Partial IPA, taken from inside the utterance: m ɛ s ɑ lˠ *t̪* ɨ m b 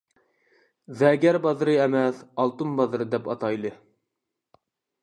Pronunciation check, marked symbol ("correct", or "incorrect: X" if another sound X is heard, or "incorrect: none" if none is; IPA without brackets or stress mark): correct